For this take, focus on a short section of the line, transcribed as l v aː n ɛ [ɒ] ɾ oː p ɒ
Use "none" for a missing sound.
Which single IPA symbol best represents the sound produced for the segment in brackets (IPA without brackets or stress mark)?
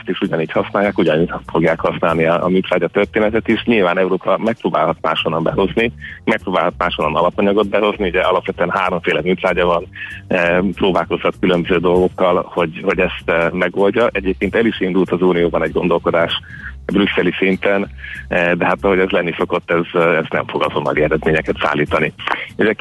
u